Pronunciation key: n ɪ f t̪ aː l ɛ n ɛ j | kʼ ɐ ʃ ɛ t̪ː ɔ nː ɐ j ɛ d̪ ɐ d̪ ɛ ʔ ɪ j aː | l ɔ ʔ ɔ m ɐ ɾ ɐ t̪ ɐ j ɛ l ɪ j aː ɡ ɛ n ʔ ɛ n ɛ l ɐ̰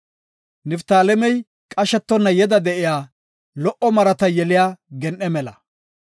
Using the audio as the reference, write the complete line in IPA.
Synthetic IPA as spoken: n ɪ f t̪ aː l ɛ m ɛ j | kʼ ɐ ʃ ɛ t̪ː ɔ nː ɐ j ɛ d̪ ɐ d̪ ɛ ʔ ɪ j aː | l ɔ ʔ ɔ m ɐ ɾ ɐ t̪ ɐ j ɛ l ɪ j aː ɡ ɛ n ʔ ɛ m ɛ l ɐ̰

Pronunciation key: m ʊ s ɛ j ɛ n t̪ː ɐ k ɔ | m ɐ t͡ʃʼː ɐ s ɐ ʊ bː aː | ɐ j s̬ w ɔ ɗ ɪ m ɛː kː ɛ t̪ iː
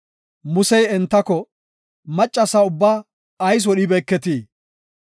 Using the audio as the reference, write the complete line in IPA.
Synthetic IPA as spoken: m ʊ s ɛ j ɛ n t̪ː ɐ k ɔ | m ɐ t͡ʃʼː ɐ s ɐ ʊ bː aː | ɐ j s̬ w ɔ ɗ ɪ b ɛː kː ɛ t̪ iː

